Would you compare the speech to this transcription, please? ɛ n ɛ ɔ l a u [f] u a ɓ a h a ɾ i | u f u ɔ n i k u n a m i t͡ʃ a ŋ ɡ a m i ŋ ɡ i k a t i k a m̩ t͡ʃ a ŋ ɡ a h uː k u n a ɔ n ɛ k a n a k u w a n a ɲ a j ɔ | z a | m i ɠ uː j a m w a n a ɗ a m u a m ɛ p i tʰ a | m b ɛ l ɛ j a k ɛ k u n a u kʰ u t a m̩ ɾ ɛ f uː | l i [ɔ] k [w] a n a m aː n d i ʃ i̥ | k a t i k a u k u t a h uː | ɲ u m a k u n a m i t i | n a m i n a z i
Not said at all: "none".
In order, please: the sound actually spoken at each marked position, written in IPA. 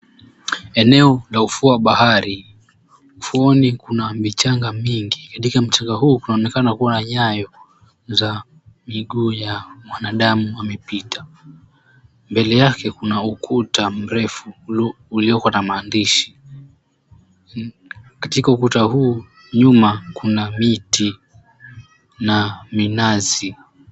f, ɔ, w

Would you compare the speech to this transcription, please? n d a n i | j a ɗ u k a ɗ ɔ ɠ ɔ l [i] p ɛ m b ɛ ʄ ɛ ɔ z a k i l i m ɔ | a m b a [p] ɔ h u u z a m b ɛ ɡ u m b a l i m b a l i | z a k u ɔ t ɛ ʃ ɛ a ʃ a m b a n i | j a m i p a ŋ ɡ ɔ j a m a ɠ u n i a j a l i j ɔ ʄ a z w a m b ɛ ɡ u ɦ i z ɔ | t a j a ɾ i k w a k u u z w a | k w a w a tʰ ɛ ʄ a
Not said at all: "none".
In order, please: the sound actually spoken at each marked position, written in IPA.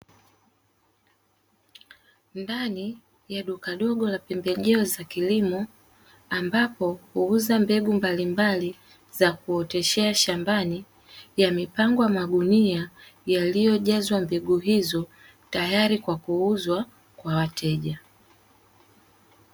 a, p

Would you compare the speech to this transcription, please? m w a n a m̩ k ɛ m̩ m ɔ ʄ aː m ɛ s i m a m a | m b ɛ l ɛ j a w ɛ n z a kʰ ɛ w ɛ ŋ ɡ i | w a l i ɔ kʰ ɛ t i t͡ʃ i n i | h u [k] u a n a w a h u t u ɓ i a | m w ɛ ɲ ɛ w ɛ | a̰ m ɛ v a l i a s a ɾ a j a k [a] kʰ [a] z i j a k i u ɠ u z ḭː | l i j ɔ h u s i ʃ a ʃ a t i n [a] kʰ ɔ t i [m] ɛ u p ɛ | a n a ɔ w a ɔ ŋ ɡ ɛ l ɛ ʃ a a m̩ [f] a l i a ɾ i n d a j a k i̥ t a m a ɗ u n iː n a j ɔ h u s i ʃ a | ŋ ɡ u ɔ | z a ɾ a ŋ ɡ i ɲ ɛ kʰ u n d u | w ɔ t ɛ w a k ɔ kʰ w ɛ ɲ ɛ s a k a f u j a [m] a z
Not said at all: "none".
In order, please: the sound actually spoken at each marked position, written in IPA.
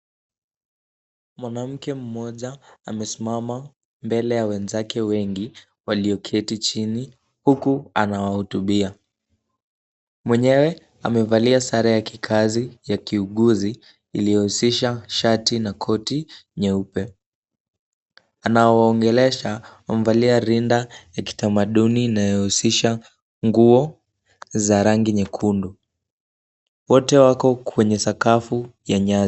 k, i, a, a, ɲ, v, ɲ

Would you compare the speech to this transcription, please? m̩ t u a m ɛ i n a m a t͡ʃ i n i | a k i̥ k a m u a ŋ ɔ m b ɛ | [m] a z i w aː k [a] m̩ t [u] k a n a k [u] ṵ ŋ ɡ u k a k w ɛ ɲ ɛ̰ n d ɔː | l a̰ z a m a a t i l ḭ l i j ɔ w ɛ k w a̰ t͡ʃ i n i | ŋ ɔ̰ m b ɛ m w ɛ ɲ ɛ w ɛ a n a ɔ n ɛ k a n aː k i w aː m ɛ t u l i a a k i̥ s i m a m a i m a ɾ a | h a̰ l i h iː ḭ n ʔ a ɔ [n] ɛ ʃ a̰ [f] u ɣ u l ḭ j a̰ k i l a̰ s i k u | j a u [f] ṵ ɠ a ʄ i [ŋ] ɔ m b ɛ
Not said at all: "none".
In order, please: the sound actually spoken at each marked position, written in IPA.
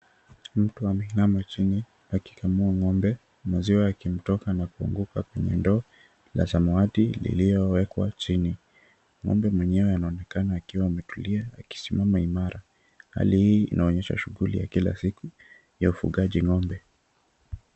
m, i, ɔ, u, ɲ, ʃ, f, ŋ

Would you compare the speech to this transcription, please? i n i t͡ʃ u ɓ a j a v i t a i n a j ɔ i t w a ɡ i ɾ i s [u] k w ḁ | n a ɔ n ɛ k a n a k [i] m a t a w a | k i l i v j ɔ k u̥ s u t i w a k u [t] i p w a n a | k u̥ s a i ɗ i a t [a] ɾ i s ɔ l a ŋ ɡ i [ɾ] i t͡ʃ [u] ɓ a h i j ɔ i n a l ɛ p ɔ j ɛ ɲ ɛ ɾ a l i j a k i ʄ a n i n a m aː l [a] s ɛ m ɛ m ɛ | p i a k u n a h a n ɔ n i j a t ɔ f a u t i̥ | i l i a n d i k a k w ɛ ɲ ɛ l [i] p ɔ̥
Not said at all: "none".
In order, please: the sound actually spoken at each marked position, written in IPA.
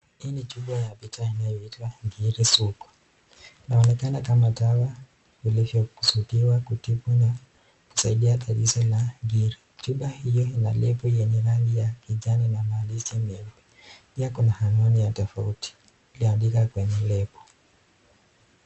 u, a, t, a, ɾ, u, i, ɛ

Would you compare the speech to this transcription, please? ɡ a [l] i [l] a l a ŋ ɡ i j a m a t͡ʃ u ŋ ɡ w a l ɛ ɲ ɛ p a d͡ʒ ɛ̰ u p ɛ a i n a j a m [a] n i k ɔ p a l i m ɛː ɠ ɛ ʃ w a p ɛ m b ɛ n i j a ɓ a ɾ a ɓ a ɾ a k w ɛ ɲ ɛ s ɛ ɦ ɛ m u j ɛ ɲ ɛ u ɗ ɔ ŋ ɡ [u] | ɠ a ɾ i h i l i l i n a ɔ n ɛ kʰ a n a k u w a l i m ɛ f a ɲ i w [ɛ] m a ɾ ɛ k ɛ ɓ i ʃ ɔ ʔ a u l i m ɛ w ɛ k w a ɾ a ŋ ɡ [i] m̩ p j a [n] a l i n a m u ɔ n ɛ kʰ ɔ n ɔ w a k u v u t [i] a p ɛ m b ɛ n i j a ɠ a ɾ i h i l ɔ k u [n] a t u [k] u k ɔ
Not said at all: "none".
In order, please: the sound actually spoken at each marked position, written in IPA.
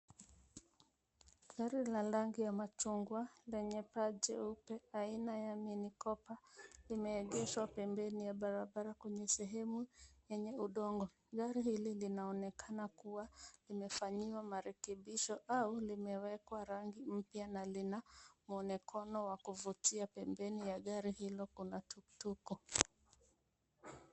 ɾ, l, i, ɔ, a, i, n, i, n, t

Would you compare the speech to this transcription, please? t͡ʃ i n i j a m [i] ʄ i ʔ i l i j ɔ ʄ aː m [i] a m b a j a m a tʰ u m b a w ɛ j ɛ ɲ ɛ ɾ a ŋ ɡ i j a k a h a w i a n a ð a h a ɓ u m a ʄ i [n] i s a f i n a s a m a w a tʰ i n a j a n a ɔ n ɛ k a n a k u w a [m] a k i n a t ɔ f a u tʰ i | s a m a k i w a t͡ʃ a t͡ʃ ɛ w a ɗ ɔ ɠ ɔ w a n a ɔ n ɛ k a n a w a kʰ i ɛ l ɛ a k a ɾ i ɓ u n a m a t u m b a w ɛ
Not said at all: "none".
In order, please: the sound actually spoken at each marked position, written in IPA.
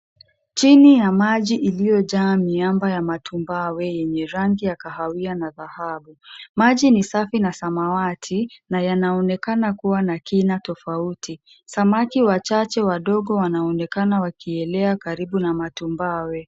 a, i, n, n

